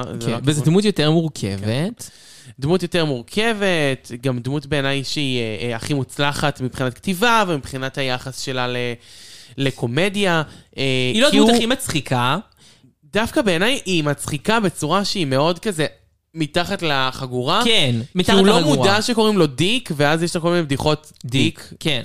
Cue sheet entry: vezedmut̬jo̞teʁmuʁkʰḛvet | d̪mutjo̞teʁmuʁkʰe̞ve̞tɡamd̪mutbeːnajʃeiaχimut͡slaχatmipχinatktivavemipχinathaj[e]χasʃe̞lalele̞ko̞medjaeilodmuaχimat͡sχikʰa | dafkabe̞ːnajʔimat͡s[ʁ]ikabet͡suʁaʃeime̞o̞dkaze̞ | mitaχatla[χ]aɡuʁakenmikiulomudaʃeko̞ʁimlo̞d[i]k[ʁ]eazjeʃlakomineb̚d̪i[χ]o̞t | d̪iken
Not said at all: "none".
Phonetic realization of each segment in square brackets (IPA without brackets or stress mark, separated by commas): a, χ, χ, i, v, χ